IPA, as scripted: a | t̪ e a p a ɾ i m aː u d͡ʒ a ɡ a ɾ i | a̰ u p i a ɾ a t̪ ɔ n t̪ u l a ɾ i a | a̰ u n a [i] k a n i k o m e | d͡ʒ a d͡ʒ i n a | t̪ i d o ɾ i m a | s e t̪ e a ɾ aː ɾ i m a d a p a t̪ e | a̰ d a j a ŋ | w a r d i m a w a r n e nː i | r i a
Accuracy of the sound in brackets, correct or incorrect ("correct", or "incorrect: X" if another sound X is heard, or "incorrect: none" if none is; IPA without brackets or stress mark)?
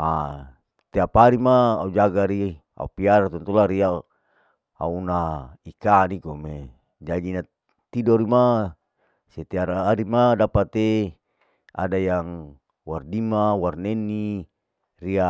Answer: correct